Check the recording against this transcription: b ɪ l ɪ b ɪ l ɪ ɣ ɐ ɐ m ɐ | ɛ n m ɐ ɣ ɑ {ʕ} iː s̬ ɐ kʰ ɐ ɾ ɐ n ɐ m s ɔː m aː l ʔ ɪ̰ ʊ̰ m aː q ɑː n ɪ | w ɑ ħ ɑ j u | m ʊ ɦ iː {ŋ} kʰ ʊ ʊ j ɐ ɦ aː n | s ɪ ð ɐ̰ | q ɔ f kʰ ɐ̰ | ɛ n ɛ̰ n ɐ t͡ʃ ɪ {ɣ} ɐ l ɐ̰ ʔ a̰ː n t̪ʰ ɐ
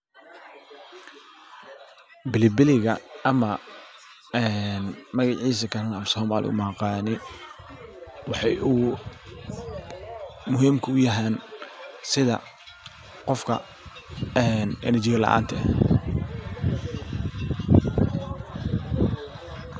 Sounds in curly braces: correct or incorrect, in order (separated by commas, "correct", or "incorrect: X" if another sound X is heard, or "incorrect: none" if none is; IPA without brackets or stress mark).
correct, incorrect: m, correct